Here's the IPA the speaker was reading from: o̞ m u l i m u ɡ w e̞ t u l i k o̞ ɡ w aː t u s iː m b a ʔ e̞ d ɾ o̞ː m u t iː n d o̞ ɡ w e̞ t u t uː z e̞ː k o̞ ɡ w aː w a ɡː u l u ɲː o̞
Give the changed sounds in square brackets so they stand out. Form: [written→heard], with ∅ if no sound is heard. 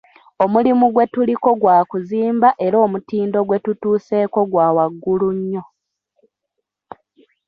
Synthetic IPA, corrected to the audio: o̞ m u l i m u ɡ w e̞ t u l i k o̞ ɡ w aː [t→k] u [s→z] iː m b a ʔ e̞ [d→∅] ɾ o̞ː m u t iː n d o̞ ɡ w e̞ t u t uː [z→s] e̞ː k o̞ ɡ w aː w a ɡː u l u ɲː o̞